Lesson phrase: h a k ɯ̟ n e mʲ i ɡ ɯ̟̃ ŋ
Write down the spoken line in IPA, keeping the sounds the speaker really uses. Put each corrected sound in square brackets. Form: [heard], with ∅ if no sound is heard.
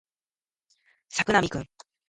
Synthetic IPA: [s] a k ɯ̟ n [a] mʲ i [k] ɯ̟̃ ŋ